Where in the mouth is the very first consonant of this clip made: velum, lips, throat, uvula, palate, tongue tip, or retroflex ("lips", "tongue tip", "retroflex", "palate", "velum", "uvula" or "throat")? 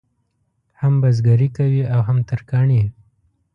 throat